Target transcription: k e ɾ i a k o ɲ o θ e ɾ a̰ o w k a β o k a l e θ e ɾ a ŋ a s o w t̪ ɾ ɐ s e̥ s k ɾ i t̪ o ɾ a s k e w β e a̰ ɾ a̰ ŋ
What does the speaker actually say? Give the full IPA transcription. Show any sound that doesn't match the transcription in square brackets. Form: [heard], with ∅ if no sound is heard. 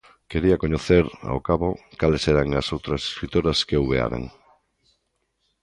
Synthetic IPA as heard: k e ɾ i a k o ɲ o θ e ɾ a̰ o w k a β o k a l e [s] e ɾ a ŋ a s o w t̪ ɾ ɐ s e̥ s k ɾ i t̪ o ɾ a s k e w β e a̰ ɾ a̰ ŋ